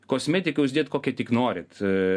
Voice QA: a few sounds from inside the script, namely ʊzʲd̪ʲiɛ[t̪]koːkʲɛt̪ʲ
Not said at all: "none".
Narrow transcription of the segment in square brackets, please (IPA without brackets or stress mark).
t̪